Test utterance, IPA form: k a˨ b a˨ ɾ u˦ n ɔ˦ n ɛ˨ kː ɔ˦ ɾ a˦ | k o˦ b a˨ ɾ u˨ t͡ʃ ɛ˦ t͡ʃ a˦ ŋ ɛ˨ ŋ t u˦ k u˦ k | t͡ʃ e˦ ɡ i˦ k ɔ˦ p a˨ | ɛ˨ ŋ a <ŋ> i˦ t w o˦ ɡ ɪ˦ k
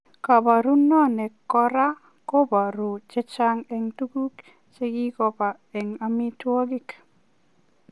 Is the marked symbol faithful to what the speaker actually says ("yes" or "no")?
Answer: no